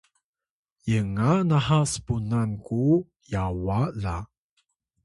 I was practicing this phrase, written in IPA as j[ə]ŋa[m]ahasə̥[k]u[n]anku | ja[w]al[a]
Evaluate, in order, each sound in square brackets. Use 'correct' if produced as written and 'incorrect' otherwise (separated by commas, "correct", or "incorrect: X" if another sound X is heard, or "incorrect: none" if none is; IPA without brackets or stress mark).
correct, incorrect: n, incorrect: p, correct, correct, correct